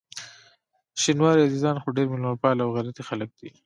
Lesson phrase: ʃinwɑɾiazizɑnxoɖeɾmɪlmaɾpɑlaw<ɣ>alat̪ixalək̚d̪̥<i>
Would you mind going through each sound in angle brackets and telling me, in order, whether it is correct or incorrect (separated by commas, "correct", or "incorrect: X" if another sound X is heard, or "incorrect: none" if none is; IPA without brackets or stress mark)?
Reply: correct, correct